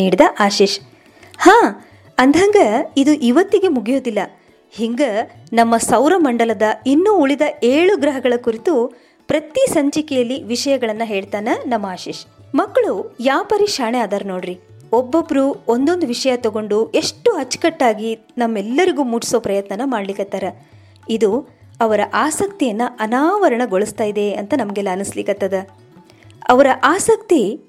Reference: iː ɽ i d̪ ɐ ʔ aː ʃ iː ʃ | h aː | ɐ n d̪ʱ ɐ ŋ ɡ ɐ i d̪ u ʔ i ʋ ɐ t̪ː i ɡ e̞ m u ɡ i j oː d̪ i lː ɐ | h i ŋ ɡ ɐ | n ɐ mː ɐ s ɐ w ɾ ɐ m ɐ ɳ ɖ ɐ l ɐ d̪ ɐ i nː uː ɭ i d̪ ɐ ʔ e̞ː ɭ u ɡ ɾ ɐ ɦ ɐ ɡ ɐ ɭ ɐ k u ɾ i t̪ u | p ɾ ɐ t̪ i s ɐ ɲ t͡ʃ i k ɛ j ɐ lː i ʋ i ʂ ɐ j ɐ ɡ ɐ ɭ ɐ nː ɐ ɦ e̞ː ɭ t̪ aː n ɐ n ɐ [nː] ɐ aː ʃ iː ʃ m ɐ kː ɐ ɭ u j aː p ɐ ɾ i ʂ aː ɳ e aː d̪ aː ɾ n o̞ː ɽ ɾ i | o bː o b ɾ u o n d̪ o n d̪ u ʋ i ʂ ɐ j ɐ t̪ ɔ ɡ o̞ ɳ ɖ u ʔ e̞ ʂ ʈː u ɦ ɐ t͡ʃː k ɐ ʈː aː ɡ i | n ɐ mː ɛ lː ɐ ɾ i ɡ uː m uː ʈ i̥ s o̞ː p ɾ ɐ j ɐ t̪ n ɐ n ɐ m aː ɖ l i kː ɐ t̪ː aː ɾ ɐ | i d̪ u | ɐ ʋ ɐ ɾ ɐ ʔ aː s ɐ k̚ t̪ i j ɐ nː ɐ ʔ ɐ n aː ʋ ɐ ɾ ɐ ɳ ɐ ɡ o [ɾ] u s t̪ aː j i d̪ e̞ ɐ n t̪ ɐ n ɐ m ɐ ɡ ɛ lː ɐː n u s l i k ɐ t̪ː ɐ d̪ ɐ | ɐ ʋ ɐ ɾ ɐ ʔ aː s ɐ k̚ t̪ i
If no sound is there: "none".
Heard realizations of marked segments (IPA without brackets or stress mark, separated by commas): mː, ɭ